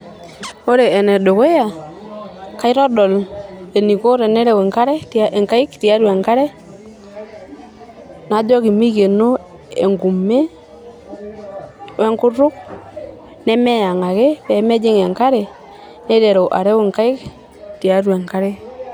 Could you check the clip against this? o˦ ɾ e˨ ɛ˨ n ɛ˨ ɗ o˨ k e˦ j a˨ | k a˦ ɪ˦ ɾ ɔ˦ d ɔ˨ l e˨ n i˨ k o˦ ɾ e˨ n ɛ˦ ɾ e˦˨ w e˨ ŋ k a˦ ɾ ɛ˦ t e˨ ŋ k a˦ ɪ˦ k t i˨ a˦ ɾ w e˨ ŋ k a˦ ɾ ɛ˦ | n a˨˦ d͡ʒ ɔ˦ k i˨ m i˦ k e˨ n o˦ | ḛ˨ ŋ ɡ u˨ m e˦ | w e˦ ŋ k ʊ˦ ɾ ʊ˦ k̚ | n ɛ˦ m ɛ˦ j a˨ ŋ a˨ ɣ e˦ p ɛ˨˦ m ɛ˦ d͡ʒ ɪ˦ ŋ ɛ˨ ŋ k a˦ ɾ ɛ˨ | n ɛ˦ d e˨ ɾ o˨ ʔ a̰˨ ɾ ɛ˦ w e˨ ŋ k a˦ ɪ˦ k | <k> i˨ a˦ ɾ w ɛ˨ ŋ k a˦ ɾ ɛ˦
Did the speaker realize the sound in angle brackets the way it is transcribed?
no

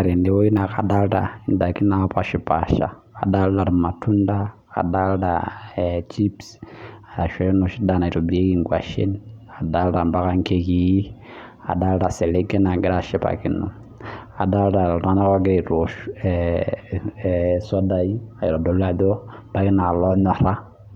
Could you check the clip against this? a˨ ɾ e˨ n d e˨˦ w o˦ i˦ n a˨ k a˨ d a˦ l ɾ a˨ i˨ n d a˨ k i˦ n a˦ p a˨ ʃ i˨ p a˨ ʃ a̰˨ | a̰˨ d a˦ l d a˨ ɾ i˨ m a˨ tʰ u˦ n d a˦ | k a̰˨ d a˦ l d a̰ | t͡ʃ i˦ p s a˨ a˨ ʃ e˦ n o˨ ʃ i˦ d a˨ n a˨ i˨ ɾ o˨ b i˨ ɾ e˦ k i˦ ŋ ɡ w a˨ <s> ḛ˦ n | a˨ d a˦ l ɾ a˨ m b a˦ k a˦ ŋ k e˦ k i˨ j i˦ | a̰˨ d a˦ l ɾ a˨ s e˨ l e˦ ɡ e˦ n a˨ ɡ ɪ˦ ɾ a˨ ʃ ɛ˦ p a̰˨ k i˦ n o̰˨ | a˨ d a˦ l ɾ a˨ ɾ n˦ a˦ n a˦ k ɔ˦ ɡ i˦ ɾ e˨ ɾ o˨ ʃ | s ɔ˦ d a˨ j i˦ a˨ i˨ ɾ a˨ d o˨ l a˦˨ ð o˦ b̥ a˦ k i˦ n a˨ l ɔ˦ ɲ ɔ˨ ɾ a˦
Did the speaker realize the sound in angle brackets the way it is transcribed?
no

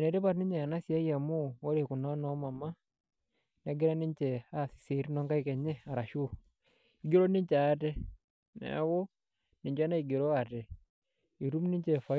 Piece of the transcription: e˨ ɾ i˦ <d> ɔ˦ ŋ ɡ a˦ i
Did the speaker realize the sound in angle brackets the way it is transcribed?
no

